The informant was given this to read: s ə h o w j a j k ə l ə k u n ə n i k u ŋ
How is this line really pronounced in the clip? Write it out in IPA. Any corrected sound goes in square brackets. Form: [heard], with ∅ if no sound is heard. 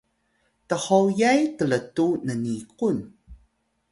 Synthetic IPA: [t] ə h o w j a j [t] ə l ə [t] u n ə n i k u [n]

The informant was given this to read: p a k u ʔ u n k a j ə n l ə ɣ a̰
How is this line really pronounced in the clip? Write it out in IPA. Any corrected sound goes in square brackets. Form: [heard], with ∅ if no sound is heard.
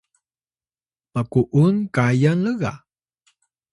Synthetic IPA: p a k u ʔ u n k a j [a] n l ə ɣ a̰

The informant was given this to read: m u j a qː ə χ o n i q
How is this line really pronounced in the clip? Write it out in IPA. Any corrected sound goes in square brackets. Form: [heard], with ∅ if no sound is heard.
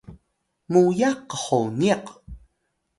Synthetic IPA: m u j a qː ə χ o n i q

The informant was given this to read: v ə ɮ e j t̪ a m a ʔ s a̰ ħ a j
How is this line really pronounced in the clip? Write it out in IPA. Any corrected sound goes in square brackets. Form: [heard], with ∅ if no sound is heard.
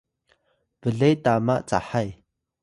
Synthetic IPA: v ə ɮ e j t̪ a m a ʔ [t͡s] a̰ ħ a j

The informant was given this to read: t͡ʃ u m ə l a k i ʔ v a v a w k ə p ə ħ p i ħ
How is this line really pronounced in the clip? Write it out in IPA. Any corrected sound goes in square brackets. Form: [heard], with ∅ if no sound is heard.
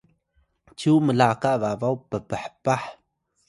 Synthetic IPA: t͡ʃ u m ə l a k [a] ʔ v a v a w [p] ə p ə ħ p [a] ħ

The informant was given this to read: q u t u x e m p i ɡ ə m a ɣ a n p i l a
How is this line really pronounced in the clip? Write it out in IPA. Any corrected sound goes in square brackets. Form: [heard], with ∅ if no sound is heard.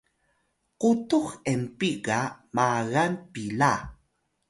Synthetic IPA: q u t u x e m p i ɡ [a] m a ɣ a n p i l a

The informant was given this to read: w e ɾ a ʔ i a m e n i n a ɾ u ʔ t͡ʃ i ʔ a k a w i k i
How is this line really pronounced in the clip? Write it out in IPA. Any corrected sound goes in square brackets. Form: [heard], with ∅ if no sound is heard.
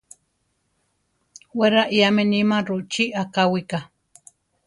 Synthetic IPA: w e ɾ a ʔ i a m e n i [m] a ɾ u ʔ t͡ʃ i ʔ a k a w i k [a]

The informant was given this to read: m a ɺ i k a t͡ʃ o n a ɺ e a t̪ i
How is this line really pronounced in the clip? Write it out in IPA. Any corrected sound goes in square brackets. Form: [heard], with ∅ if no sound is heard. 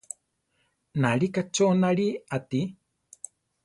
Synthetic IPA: [n] a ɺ i k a t͡ʃ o n a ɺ [i] a t̪ i

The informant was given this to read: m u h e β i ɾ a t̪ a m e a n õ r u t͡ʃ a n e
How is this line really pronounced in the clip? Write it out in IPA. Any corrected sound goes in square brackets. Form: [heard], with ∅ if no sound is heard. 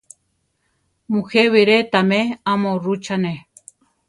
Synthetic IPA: m u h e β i ɾ [e] t̪ a m e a [m] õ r u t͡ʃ a n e

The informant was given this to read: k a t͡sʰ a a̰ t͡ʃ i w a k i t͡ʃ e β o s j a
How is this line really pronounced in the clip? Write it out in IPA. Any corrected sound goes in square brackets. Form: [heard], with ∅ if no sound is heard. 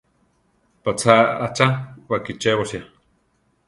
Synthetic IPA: [p] a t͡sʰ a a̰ t͡ʃ [a] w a k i t͡ʃ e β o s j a

